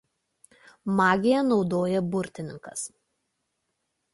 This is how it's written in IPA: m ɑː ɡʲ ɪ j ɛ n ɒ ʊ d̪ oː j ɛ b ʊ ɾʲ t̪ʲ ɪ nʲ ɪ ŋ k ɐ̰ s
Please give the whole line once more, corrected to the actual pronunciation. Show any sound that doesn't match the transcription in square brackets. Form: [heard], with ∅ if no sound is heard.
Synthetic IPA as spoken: m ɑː ɡʲ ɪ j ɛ n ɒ ʊ d̪ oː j ɛ b ʊ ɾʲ t̪ʲ ɪ nʲ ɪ ŋ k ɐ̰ s